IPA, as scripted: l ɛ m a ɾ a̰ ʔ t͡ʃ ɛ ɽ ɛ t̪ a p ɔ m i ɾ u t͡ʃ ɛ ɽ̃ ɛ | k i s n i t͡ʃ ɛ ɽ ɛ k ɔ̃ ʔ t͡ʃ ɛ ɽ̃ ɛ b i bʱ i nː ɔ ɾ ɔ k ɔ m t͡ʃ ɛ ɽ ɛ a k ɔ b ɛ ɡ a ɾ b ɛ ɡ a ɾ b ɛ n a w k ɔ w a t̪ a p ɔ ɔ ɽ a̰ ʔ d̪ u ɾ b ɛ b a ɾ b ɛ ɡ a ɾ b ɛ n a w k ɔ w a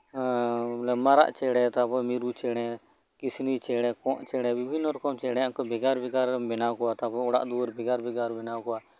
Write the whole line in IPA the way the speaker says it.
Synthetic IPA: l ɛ m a ɾ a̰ ʔ t͡ʃ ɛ ɽ ɛ t̪ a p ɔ m i ɾ u t͡ʃ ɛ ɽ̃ ɛ | k i s n i t͡ʃ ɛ ɽ ɛ k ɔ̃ ʔ t͡ʃ ɛ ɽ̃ ɛ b i bʱ i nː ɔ ɾ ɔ k ɔ m t͡ʃ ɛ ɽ ɛ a k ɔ b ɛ ɡ a ɾ b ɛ ɡ a ɾ b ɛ n a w k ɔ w a t̪ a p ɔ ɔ ɽ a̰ ʔ d̪ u ɾ b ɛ ɡ a ɾ b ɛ ɡ a ɾ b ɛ n a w k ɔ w a

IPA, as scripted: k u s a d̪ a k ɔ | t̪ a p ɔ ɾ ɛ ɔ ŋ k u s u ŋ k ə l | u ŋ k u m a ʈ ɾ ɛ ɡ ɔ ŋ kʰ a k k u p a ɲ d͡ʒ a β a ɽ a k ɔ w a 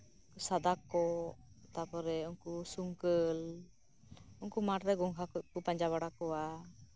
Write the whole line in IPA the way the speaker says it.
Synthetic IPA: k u s a d̪ a k ɔ | t̪ a p ɔ ɾ ɛ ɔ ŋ k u s u ŋ k ə l | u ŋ k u m a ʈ ɾ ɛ ɡ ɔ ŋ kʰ a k k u p a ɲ d͡ʒ a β a ɽ a k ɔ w a

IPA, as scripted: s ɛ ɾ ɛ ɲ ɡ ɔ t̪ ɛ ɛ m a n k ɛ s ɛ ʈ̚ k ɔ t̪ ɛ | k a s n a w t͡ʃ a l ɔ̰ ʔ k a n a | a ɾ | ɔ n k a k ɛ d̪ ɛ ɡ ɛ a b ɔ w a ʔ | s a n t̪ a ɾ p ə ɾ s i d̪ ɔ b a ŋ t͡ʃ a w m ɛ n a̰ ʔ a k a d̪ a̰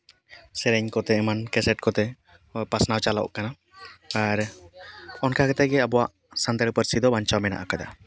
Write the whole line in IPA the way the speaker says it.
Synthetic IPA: s ɛ ɾ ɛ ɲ k ɔ t̪ ɛ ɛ m a n k ɛ s ɛ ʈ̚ k ɔ t̪ ɛ | p a s n a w t͡ʃ a l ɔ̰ ʔ k a n a | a ɾ | ɔ n k a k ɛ t̪ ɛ ɡ ɛ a b ɔ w a ʔ | s a n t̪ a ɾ p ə ɾ s i d̪ ɔ b a ɲ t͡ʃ a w m ɛ n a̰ ʔ a k a d̪ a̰

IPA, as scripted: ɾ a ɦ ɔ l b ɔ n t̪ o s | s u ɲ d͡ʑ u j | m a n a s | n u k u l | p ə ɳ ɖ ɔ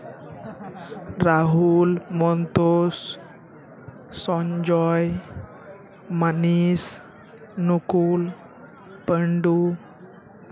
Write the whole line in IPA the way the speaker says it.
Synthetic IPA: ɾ a ɦ u l m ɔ n t̪ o s | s ɔ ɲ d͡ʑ ɔ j | m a n i s | n u k u l | p ə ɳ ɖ u

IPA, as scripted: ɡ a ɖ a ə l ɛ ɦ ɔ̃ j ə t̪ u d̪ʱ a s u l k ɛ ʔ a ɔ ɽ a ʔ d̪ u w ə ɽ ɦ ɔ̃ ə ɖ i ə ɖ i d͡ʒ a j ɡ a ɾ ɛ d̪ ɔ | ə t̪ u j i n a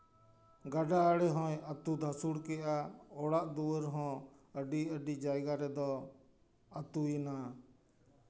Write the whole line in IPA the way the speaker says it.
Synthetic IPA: ɡ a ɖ a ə ɽ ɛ ɦ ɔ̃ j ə t̪ u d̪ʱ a s u ɽ k ɛ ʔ a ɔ ɽ a ʔ d̪ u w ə ɾ ɦ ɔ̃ ə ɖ i ə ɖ i d͡ʒ a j ɡ a ɾ ɛ d̪ ɔ | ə t̪ u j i n a

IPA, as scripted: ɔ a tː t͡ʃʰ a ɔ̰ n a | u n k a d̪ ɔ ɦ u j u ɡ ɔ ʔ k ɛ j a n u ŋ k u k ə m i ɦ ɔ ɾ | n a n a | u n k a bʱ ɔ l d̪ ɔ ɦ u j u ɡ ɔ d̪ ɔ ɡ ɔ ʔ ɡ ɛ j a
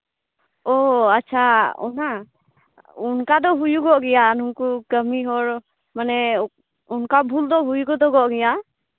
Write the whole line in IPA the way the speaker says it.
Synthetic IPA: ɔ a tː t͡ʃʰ a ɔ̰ n a | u n k a d̪ ɔ ɦ u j u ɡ ɔ ʔ ɡ ɛ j a n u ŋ k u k ə m i ɦ ɔ ɾ | m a n ɛ | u n k a bʱ u l d̪ ɔ ɦ u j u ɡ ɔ d̪ ɔ ɡ ɔ ʔ ɡ ɛ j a

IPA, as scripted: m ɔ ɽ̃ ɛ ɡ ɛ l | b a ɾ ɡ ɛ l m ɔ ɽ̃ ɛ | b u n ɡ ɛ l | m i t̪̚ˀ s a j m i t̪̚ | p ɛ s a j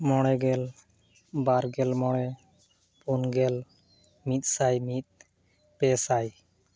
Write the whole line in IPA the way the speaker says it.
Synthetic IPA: m ɔ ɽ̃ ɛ ɡ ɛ l | b a ɾ ɡ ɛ l m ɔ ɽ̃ ɛ | p u n ɡ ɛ l | m i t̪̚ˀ s a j m i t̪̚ | p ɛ s a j

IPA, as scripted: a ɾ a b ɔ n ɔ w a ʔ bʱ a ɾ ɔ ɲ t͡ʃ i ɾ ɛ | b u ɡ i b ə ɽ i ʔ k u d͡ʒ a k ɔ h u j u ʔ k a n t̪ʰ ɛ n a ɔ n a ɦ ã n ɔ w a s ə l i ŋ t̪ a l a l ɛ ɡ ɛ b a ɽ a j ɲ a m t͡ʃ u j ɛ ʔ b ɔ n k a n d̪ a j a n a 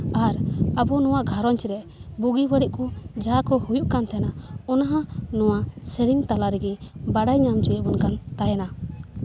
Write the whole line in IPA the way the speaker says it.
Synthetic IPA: a ɾ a b ɔ n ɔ w a ʔ ɡʱ a ɾ ɔ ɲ t͡ʃ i ɾ ɛ | b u ɡ i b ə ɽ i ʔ k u d͡ʒ a k ɔ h u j u ʔ k a n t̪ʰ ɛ n a ɔ n a ɦ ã n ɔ w a s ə ɾ i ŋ t̪ a l a ɾ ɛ ɡ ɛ b a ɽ a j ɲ a m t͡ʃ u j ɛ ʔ b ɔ n k a n t̪ a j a n a

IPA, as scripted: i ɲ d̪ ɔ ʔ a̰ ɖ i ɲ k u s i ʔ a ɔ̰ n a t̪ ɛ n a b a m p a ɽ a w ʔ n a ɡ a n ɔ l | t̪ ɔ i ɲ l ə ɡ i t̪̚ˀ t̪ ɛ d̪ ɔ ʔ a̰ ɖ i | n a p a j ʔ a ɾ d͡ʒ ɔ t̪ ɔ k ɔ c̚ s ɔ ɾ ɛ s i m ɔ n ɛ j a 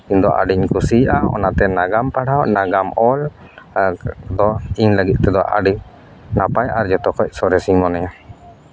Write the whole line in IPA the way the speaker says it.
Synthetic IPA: i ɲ d̪ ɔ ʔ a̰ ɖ i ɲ k u s i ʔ a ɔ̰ n a t̪ ɛ n a ɡ a m p a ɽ a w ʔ n a ɡ a m ɔ l | d̪ ɔ i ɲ l ə ɡ i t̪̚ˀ t̪ ɛ d̪ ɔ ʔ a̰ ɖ i | n a p a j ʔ a ɾ d͡ʒ ɔ t̪ ɔ k ɔ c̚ s ɔ ɾ ɛ s i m ɔ n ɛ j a

